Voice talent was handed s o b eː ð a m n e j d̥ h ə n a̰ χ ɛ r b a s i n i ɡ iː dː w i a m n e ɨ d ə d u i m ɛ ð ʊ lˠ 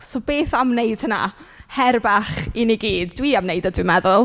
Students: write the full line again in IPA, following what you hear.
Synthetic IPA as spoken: s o b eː θ a m n e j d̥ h ə n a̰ h ɛ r b a χ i n i ɡ iː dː w i a m n e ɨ d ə d w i m ɛ ð ʊ lˠ